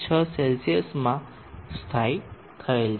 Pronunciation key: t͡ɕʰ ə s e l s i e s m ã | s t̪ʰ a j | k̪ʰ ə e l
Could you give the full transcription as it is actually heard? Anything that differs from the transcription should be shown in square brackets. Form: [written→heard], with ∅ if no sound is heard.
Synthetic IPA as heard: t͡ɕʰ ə s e l s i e s m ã | s t̪ʰ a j | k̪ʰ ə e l